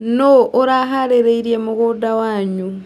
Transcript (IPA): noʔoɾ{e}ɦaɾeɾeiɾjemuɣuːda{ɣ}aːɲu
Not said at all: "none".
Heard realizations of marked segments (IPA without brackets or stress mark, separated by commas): a, w